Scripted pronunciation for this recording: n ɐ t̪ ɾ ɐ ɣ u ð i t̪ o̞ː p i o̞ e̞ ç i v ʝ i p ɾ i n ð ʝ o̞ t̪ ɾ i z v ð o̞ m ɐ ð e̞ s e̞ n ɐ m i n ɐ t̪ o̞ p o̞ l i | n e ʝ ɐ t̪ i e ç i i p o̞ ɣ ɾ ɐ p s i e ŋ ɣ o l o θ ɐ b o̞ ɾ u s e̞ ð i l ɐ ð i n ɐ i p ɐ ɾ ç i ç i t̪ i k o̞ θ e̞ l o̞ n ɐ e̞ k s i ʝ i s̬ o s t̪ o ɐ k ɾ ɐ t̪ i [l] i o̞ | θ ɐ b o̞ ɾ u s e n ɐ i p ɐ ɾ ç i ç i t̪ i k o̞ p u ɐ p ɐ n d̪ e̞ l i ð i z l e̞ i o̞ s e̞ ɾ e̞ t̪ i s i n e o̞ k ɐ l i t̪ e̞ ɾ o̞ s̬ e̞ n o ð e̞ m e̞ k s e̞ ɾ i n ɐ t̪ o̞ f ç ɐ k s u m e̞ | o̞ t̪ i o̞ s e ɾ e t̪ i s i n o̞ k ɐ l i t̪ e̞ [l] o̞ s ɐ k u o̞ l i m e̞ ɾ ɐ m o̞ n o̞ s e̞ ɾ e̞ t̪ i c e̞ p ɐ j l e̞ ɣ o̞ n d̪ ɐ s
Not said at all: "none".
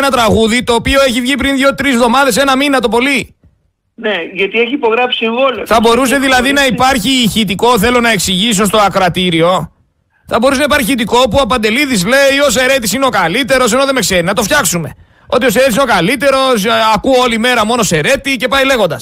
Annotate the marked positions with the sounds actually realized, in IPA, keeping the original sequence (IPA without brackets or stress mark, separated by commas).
ɾ, ɾ